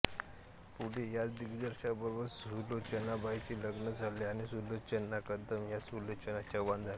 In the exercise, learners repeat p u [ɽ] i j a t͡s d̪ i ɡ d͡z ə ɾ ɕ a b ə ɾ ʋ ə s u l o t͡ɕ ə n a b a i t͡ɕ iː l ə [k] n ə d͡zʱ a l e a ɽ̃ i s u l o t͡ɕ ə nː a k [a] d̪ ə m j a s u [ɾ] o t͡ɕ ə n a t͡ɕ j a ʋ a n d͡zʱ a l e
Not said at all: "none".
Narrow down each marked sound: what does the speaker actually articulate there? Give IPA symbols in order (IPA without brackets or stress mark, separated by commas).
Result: ɽ, ɡ, ə, l